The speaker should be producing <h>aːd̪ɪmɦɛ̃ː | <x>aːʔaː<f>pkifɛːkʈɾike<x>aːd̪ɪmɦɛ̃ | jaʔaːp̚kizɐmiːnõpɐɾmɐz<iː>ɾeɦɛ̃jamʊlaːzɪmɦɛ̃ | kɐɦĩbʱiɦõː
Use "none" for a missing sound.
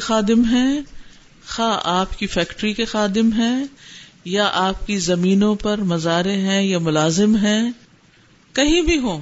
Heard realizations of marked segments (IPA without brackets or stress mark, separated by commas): x, x, none, x, aː